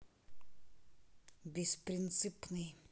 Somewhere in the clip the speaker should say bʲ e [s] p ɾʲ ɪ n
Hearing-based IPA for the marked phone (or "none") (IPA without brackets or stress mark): s